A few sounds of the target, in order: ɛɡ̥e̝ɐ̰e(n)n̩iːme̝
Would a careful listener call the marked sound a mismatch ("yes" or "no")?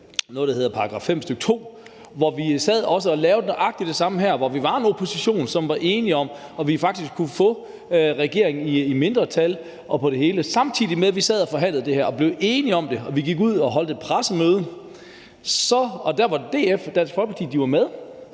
yes